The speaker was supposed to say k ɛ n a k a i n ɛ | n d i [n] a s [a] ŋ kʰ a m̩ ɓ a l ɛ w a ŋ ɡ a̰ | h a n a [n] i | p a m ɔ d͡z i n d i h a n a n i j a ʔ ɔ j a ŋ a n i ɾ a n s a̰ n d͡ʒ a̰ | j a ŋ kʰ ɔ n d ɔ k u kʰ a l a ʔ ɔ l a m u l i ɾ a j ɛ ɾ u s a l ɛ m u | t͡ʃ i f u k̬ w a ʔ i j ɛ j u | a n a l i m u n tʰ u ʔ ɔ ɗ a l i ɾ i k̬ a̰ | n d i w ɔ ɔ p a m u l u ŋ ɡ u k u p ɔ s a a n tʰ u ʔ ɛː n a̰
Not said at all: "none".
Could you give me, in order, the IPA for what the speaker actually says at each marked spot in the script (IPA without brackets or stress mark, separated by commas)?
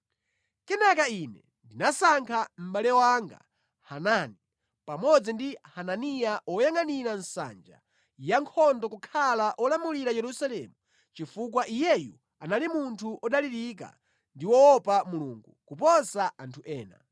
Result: n, a, n